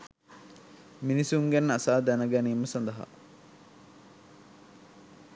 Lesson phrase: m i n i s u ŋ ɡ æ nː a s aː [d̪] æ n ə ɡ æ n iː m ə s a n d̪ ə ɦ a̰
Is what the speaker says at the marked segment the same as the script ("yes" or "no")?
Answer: yes